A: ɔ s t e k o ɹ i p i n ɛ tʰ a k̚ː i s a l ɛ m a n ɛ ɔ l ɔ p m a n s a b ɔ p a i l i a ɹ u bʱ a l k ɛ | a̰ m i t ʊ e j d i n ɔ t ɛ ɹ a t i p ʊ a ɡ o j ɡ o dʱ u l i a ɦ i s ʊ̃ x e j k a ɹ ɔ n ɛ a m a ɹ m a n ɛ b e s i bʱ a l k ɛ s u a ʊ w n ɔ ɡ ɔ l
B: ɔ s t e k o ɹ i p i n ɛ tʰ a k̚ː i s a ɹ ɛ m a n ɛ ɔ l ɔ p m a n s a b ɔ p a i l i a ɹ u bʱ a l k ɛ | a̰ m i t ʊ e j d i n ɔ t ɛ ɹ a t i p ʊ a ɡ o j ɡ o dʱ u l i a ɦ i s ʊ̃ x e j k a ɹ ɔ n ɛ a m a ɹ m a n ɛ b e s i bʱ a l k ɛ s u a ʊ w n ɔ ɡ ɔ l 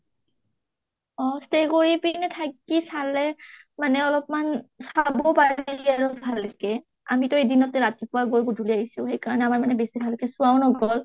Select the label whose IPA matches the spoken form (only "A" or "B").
A